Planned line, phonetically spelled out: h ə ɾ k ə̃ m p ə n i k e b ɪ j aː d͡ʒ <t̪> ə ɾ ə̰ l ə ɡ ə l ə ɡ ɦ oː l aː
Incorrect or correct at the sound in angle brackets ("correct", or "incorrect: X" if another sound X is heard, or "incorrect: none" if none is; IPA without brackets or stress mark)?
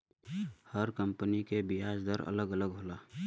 incorrect: d̪